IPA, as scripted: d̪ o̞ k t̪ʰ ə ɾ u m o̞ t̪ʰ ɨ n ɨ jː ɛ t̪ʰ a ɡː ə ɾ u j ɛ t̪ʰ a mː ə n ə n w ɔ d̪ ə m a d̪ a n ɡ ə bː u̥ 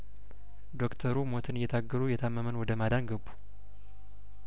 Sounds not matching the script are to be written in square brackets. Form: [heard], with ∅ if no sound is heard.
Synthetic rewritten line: d̪ o̞ k t̪ʰ ə ɾ u m o̞ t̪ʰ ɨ n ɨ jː ɛ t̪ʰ a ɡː ə ɾ u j ɛ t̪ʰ a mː ə [m] ə n w ɔ d̪ ə m a d̪ a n ɡ ə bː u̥

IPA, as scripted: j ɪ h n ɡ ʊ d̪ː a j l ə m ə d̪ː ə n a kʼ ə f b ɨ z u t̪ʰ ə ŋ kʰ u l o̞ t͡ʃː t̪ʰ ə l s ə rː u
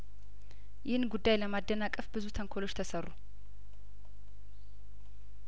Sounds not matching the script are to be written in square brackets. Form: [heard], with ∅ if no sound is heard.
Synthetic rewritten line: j ɪ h n ɡ [u] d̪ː a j l ə m [a] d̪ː ə n a kʼ ə f b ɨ z u t̪ʰ ə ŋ kʰ [o] l o̞ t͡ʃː t̪ʰ ə [∅] s ə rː u

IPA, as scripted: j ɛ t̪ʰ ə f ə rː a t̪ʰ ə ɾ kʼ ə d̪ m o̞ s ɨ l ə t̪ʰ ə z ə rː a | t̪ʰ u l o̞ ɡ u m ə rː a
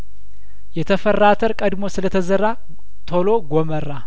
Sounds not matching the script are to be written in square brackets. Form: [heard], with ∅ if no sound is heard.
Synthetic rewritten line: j ɛ t̪ʰ ə f ə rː a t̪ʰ ə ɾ kʼ ə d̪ m o̞ s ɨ l ə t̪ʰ ə z ə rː a | t̪ʰ [o] l o̞ ɡ [o] m ə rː a

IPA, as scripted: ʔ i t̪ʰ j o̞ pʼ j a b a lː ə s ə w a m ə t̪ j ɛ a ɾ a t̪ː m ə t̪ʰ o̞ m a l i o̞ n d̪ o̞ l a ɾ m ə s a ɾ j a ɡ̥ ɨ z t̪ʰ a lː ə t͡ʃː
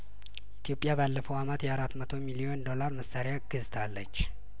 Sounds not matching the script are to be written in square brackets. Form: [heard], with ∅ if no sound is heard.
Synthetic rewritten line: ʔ i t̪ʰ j o̞ pʼ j a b a lː ə [f] ə w a m ə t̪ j ɛ a ɾ a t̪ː m ə t̪ʰ o̞ m [i] l i o̞ n d̪ o̞ l a ɾ m ə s a ɾ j a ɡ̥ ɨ z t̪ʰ a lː ə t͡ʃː

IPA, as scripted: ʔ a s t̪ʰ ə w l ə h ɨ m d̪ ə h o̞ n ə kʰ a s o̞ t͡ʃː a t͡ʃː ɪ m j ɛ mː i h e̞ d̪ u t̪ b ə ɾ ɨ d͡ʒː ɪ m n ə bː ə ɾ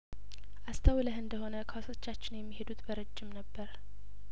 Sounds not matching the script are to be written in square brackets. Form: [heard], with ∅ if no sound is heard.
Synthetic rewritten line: ʔ a s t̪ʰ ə w l ə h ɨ [n] d̪ ə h o̞ n ə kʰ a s o̞ t͡ʃː a t͡ʃː ɪ [n] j ɛ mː i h e̞ d̪ u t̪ b ə ɾ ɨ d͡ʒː ɪ m n ə bː ə ɾ

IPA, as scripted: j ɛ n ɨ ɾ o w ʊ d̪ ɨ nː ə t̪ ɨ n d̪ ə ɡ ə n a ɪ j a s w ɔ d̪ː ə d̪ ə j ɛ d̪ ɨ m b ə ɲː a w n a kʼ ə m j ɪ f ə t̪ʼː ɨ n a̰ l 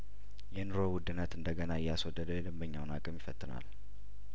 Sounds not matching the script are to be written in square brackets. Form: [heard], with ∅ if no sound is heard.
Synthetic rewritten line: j ɛ n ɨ ɾ o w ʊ d̪ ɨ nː ə t̪ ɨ n d̪ ə ɡ ə n a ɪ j a s w ɔ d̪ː ə d̪ ə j ɛ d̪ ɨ m b ə ɲː a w n a kʼ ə m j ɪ f ə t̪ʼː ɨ n a̰ l

